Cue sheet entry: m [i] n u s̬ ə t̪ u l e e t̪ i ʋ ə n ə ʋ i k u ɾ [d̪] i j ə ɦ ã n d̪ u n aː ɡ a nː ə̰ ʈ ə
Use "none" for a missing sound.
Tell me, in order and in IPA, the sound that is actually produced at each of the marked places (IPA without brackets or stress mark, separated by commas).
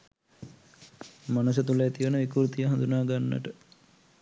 a, t̪